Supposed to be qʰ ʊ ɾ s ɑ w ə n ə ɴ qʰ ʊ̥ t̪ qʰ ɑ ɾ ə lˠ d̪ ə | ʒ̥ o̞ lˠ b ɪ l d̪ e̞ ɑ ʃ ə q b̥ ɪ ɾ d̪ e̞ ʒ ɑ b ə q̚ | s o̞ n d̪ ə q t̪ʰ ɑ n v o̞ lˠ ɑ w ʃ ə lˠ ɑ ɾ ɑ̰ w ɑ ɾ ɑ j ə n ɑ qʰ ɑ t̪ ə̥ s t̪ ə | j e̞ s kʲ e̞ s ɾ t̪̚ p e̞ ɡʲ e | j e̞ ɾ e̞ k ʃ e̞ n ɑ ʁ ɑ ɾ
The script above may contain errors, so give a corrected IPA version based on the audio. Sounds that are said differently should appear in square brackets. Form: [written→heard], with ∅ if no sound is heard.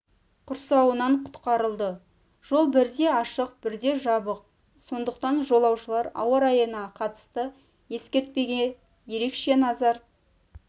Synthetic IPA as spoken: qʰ ʊ ɾ s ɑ w ə n [ə→ɑ] ɴ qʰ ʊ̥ t̪ [qʰ→q] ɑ ɾ ə lˠ d̪ ə | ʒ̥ o̞ lˠ b ɪ [l→ɾ] d̪ e̞ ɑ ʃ ə q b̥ ɪ ɾ d̪ e̞ ʒ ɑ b ə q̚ | s o̞ n d̪ ə q [t̪ʰ→t̪] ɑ n [v→ʒ] o̞ lˠ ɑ w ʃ ə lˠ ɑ ɾ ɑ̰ w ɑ ɾ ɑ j ə n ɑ qʰ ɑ t̪ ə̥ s t̪ ə | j e̞ s kʲ e̞ [s→∅] ɾ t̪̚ p e̞ ɡʲ e | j e̞ ɾ e̞ k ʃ e̞ n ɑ [ʁ→z] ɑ ɾ